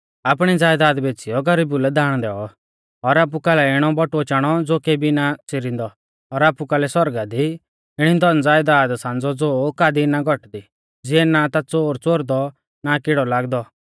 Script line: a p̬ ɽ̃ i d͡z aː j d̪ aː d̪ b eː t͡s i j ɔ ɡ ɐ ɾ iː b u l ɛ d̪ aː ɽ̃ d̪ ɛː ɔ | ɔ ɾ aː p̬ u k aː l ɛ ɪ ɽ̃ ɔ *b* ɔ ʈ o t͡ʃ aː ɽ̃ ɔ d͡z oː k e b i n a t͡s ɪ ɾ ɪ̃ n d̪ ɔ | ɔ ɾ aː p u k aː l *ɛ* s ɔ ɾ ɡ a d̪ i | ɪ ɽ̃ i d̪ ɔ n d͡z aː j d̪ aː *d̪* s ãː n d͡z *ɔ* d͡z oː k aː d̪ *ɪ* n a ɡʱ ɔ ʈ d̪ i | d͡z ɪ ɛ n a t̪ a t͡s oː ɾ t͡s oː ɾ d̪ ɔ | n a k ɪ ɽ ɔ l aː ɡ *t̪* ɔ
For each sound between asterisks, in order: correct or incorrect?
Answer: correct, correct, correct, correct, incorrect: i, incorrect: d̪

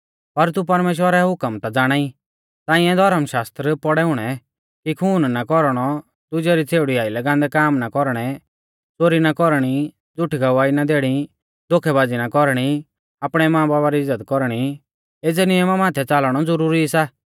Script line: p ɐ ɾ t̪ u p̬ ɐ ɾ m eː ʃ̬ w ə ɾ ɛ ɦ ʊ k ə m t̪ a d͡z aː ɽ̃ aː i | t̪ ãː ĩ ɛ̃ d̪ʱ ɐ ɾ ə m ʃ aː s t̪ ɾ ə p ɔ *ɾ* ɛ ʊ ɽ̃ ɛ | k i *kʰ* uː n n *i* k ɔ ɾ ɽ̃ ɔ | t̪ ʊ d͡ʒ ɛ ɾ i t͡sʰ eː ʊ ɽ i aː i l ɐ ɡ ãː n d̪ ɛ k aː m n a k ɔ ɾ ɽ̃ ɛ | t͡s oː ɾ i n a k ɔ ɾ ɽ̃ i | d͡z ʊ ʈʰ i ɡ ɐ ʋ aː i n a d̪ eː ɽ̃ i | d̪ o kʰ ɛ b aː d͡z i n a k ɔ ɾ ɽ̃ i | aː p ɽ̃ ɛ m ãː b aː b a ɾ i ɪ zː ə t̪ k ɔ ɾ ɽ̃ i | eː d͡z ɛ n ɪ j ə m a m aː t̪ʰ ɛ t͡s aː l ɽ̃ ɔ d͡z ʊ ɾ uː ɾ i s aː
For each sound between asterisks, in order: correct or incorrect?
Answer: incorrect: ɽ, correct, incorrect: a

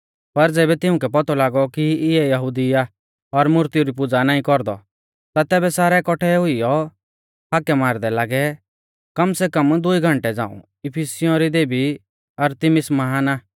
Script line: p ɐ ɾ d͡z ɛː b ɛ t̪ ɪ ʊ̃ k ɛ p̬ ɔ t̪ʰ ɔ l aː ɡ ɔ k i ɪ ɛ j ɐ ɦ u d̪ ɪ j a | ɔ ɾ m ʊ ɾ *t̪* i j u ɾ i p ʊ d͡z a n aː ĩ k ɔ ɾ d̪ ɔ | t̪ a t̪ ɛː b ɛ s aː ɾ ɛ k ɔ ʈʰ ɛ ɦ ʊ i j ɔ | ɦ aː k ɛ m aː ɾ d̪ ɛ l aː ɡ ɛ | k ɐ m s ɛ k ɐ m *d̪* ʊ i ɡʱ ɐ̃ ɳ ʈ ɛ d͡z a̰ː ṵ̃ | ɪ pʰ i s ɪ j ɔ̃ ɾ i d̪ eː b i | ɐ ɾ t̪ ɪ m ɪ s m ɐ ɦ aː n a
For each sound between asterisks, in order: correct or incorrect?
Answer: correct, correct

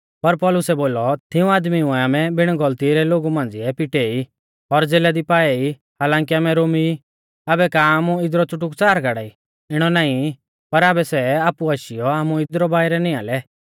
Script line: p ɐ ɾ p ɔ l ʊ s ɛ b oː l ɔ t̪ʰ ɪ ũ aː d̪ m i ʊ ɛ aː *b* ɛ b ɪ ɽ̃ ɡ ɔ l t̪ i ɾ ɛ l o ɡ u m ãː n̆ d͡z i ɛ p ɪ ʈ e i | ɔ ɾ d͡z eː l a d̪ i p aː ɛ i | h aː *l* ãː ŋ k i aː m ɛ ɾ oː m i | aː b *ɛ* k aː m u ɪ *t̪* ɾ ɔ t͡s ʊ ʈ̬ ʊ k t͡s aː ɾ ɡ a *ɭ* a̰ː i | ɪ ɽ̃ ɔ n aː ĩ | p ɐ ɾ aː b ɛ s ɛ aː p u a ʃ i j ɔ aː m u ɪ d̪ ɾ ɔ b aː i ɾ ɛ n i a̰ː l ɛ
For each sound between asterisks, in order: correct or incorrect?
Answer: incorrect: m, correct, correct, incorrect: d̪, incorrect: ɽ

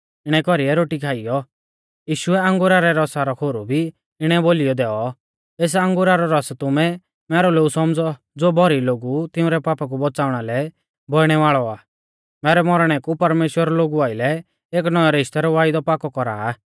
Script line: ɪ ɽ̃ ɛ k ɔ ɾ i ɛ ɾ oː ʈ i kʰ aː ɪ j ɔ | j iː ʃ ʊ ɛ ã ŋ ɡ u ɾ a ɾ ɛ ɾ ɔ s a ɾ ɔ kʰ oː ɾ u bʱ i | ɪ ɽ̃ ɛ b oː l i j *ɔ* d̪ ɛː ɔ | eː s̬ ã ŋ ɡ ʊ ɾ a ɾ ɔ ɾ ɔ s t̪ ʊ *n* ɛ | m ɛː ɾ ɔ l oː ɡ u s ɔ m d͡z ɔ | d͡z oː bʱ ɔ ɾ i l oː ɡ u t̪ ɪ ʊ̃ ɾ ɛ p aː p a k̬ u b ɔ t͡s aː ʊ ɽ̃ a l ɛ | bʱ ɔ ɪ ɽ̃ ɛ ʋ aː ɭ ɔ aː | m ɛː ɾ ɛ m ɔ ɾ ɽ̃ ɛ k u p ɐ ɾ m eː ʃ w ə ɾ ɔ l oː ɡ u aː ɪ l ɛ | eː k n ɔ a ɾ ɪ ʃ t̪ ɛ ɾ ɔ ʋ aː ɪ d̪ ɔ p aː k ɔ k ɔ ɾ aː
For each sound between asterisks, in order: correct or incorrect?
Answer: correct, incorrect: m

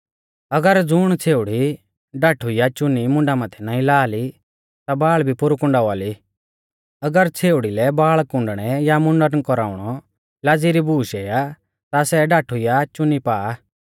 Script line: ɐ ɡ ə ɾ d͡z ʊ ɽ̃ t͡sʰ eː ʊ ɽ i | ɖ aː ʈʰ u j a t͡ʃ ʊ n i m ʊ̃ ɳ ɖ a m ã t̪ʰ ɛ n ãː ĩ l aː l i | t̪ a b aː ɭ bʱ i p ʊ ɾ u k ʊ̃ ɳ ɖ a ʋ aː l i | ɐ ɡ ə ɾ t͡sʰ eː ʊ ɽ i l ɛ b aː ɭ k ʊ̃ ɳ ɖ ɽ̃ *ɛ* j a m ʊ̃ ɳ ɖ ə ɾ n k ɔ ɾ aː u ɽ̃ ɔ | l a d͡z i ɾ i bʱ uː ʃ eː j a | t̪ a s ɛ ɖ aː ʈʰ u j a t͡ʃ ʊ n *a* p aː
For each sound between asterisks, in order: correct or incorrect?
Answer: correct, incorrect: i

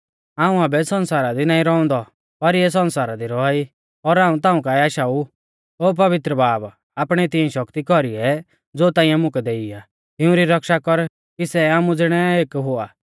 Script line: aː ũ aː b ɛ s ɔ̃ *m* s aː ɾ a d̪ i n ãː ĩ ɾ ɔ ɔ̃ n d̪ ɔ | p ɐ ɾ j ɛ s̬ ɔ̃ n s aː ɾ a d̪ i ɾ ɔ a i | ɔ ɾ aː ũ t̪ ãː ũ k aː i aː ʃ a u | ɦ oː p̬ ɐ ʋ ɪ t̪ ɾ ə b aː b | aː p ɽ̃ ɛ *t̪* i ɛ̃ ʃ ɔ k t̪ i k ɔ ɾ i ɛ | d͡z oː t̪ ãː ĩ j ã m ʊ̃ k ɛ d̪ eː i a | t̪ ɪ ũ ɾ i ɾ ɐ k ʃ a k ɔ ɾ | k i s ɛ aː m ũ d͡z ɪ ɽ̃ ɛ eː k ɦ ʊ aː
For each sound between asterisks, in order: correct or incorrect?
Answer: incorrect: n, correct

